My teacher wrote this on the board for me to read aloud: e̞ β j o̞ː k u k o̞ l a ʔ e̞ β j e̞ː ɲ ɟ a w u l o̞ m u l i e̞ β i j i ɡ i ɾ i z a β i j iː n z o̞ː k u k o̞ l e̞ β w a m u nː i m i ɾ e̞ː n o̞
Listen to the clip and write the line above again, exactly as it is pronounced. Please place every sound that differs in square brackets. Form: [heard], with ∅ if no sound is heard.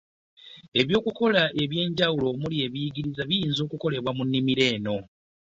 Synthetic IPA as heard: e̞ β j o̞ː k u k o̞ l a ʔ e̞ β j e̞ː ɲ ɟ a w u l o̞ m u l i e̞ β i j i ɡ i ɾ i z a β i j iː n z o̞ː k u k o̞ l e̞ β w a m u nː i m i ɾ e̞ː n o̞